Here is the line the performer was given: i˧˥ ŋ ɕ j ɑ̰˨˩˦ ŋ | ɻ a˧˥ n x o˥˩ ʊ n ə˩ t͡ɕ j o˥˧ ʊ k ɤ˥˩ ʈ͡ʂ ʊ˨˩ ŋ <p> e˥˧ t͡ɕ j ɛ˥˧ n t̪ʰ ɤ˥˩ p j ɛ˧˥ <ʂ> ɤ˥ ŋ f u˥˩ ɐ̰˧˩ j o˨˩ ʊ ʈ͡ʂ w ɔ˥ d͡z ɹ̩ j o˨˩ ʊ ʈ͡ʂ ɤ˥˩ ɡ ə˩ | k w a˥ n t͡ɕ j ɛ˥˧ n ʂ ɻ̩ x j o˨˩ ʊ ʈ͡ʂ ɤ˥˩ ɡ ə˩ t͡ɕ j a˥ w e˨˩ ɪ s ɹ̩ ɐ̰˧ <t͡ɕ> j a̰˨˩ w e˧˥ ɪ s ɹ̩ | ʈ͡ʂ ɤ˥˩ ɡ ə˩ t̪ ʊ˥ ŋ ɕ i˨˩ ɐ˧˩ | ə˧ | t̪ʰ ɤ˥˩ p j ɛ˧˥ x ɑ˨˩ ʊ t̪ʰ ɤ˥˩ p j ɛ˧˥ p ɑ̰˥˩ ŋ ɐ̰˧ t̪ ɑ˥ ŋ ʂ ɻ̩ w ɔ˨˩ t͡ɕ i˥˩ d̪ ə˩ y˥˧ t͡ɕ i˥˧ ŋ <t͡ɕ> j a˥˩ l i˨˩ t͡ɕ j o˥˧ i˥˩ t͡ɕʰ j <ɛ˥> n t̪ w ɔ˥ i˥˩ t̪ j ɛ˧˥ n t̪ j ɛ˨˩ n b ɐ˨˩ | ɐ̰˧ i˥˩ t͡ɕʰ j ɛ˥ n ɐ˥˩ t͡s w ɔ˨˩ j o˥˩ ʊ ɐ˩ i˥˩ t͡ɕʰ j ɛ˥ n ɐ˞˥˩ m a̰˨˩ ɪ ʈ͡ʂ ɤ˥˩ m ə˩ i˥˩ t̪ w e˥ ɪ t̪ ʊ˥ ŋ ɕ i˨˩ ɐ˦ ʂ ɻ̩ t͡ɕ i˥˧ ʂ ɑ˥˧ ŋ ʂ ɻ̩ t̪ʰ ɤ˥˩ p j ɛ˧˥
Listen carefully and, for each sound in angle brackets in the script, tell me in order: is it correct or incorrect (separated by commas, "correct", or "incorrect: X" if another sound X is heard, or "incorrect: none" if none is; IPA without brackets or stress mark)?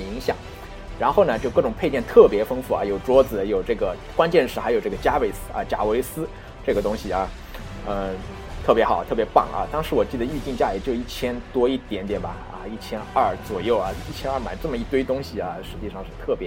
incorrect: pʰ, incorrect: f, correct, correct, correct